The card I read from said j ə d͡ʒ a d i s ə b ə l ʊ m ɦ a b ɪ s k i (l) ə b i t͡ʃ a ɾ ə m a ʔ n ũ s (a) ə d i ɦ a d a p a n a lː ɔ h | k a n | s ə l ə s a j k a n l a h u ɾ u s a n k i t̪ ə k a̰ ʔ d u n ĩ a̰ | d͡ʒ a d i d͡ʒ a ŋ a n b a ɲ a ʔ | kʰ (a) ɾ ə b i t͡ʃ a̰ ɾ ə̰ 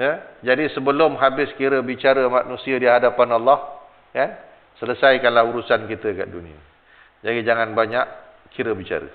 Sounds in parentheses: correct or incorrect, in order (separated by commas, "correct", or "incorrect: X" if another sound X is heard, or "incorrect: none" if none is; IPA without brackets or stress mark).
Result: incorrect: ɾ, incorrect: i, incorrect: i